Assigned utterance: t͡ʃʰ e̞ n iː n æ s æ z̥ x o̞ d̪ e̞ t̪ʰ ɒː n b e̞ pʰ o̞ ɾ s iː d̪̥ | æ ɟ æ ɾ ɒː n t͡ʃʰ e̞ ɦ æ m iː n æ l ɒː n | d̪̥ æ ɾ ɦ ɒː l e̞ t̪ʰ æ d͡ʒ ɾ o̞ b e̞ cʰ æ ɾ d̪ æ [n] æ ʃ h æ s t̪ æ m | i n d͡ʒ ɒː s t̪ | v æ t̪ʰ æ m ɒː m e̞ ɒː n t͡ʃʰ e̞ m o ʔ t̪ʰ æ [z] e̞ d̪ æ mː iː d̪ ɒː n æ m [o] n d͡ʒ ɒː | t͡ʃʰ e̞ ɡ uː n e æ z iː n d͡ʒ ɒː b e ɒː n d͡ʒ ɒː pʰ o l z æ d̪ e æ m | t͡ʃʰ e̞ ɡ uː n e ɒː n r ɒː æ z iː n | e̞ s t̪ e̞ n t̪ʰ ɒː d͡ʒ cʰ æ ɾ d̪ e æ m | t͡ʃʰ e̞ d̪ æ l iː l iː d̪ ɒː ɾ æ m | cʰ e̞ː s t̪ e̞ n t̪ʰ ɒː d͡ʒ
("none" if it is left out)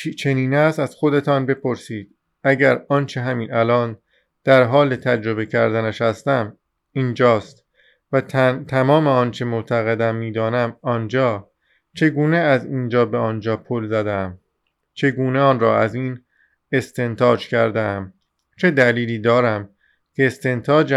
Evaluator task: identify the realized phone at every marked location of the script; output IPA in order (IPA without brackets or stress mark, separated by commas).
n, ɣ, ɒ